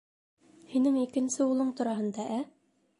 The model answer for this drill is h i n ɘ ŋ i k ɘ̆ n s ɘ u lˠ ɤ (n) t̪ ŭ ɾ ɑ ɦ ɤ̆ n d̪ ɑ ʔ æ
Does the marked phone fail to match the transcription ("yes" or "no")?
yes